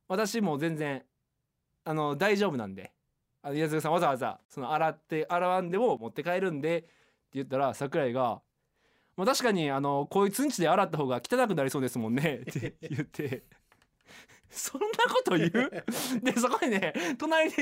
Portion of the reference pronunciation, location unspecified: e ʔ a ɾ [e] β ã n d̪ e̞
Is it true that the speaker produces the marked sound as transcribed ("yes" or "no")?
no